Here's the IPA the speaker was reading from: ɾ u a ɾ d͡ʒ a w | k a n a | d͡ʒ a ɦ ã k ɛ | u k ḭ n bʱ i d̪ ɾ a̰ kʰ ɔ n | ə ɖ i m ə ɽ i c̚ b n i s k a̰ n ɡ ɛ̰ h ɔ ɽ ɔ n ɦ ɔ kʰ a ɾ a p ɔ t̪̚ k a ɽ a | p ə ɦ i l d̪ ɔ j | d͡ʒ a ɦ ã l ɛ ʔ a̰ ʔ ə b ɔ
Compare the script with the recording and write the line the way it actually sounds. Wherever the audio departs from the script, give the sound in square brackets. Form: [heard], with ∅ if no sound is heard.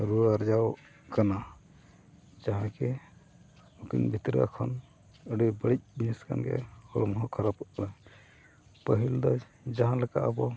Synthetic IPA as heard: ɾ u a ɾ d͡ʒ a w | k a n a | d͡ʒ a ɦ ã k ɛ | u k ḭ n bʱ i [t̪] ɾ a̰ kʰ ɔ n | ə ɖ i [b] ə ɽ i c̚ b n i s k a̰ n ɡ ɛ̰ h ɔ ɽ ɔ [m] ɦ ɔ kʰ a ɾ a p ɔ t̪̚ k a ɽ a | p ə ɦ i l d̪ ɔ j | d͡ʒ a ɦ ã l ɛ [k] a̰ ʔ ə b ɔ